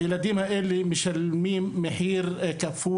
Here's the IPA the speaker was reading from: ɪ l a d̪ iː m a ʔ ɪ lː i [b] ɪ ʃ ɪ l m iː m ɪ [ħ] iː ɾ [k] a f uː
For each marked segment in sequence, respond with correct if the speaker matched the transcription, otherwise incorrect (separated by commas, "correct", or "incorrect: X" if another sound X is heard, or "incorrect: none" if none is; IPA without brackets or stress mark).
incorrect: m, correct, correct